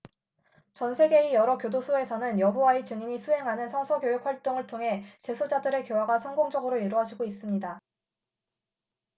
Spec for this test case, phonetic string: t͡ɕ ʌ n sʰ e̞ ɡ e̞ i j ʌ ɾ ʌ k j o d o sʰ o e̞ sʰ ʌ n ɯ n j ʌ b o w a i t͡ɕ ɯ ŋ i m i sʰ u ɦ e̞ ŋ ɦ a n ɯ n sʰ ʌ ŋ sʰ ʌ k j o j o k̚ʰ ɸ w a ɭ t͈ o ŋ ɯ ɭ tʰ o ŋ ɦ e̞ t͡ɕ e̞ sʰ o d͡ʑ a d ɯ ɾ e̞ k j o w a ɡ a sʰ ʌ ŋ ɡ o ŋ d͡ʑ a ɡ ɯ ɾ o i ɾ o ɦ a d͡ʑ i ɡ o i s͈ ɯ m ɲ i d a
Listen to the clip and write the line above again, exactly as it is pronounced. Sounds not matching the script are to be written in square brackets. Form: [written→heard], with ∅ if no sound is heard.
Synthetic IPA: t͡ɕ ʌ n sʰ e̞ ɡ e̞ i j ʌ ɾ ʌ k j o d o sʰ o e̞ sʰ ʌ n ɯ n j ʌ b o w a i t͡ɕ ɯ ŋ i [m→ɲ] i sʰ u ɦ e̞ ŋ ɦ a n ɯ n sʰ ʌ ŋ sʰ ʌ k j o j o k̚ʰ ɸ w a ɭ t͈ o ŋ ɯ ɭ tʰ o ŋ ɦ e̞ t͡ɕ e̞ sʰ o d͡ʑ a d ɯ ɾ e̞ k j o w a ɡ a sʰ ʌ ŋ ɡ o ŋ d͡ʑ [a→ʌ] ɡ ɯ ɾ o i ɾ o ɦ a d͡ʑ i ɡ o i s͈ ɯ m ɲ i d a